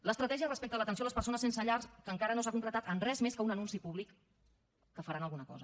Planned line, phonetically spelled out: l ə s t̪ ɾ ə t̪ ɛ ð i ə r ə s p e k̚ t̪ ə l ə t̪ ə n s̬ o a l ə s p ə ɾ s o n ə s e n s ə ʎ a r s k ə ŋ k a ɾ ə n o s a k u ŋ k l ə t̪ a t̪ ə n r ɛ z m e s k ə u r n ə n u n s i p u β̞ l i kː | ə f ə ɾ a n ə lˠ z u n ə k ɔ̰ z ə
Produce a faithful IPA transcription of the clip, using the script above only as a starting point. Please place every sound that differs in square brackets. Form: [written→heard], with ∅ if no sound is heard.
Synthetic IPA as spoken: l ə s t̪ ɾ ə t̪ ɛ [ð→ʒ] i ə r ə s p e k̚ t̪ ə l ə t̪ ə n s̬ o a l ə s p ə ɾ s o n ə s e n s ə ʎ a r s k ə ŋ k a ɾ ə n o s a k u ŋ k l ə t̪ a t̪ ə n r ɛ z m e s k ə u [r→∅] n ə n u n s i p u β̞ l i kː | ə f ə ɾ a n ə lˠ [z→ɣ] u n ə k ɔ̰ z ə